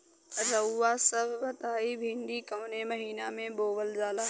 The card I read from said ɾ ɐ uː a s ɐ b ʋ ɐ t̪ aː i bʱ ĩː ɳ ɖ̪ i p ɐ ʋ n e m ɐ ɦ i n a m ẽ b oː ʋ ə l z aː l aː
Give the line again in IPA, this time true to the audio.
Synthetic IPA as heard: ɾ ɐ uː a s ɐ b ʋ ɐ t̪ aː i bʱ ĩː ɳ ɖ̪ i k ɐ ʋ n e m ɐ ɦ iː n a m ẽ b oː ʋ ə l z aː l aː